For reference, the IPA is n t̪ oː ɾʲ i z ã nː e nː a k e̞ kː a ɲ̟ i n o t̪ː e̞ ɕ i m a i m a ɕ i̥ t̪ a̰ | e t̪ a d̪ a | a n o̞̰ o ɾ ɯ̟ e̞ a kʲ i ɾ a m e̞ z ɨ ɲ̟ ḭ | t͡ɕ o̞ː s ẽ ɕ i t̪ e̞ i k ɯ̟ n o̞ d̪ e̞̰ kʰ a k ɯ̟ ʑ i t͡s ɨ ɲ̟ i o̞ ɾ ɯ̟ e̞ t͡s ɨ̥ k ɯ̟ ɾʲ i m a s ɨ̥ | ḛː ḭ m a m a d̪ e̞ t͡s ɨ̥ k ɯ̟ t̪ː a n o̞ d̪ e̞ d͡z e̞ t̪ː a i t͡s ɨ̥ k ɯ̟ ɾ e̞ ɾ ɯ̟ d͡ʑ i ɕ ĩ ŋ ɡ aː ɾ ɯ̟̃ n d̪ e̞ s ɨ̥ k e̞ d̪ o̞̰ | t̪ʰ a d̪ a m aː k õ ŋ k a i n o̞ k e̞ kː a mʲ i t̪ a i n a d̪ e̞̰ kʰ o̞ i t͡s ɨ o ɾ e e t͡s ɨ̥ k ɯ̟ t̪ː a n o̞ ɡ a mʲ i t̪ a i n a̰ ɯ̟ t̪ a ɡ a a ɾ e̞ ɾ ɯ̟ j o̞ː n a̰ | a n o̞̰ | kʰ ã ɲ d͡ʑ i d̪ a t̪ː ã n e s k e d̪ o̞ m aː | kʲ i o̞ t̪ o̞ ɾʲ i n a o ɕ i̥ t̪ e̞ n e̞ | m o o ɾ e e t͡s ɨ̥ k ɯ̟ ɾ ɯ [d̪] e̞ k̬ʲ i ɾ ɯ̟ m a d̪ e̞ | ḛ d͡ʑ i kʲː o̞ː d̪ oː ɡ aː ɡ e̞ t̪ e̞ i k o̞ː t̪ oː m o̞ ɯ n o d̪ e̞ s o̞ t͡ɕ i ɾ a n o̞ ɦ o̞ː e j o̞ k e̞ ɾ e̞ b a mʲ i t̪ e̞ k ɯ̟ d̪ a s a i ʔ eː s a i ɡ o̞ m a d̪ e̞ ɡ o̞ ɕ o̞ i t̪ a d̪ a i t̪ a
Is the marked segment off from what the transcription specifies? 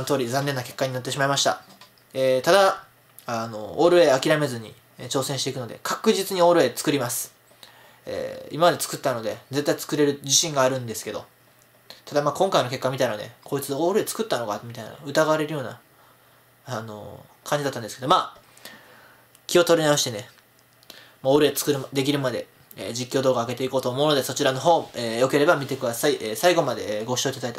no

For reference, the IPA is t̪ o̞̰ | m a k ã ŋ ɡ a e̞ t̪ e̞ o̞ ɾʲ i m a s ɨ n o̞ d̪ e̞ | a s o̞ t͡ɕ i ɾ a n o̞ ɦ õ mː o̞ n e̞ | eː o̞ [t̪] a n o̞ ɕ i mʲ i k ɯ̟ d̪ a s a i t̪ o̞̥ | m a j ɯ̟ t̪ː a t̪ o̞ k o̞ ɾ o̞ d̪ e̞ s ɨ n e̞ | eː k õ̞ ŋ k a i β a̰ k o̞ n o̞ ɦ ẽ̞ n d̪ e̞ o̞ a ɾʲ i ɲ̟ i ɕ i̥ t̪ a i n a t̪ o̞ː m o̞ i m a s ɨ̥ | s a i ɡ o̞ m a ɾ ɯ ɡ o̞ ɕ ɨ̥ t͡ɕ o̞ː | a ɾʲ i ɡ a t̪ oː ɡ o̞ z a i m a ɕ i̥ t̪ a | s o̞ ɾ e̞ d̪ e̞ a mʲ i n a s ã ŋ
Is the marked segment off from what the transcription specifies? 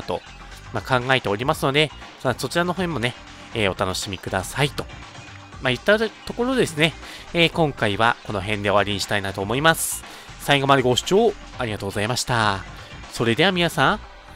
no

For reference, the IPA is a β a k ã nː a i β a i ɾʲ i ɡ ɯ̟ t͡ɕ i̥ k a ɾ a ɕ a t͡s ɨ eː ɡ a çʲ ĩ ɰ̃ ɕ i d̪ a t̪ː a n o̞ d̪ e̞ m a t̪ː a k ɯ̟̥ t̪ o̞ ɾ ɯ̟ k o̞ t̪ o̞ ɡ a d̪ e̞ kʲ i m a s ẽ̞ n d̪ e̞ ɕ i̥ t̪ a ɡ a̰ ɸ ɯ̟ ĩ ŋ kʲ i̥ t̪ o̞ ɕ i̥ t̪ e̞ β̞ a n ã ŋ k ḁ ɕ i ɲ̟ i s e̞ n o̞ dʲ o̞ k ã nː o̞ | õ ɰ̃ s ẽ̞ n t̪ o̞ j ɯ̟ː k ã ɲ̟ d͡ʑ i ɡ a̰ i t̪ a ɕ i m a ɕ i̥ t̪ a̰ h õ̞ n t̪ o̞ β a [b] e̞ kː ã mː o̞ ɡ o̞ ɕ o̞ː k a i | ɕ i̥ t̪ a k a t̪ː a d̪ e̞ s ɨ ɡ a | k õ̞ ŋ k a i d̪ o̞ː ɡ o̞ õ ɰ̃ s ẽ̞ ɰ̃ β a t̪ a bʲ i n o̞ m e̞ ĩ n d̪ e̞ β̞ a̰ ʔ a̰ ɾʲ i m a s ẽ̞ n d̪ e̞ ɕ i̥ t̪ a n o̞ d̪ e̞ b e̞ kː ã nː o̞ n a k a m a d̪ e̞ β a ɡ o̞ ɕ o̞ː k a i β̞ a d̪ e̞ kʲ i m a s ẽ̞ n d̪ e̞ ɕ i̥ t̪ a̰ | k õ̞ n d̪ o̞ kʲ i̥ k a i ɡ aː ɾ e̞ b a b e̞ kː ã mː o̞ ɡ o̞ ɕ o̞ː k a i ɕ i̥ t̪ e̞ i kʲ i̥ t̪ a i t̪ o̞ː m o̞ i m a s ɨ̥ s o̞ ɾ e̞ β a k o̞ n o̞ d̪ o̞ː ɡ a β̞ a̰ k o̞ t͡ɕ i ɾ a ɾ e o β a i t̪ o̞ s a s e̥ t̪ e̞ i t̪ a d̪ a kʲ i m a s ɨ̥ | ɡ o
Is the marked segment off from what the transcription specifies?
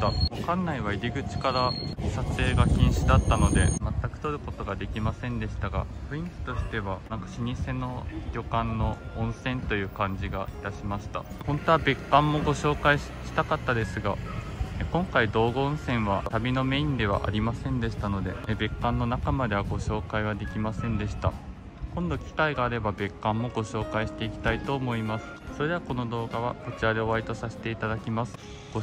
no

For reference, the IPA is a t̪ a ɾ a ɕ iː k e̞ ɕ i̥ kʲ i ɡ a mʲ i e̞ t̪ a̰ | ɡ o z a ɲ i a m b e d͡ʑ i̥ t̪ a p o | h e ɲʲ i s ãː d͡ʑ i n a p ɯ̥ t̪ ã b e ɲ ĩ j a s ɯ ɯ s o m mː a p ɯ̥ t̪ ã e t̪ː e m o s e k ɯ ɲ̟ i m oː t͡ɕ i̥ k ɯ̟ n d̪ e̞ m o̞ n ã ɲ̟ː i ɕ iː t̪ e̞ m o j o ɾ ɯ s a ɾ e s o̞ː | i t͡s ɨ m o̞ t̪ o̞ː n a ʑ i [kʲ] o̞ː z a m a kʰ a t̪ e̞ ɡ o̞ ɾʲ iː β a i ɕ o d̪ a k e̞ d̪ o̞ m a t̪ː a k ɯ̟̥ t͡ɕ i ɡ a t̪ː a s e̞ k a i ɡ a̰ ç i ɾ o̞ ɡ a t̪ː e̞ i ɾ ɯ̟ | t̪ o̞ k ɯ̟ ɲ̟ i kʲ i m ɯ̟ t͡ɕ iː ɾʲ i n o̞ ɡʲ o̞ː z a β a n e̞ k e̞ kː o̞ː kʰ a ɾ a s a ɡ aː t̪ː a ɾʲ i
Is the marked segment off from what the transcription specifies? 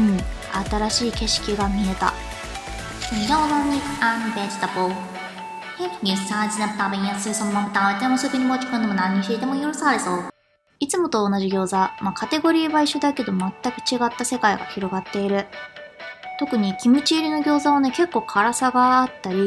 yes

